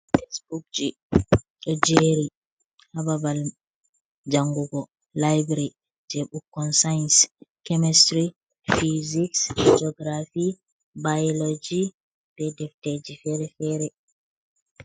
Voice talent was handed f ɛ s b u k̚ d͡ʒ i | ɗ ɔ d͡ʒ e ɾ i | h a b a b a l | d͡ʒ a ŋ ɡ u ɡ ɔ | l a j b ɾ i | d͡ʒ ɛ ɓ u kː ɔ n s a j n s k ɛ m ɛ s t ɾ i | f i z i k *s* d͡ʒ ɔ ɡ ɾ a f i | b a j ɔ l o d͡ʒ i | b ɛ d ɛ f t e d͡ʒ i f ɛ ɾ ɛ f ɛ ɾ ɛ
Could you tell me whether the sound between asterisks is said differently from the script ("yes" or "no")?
no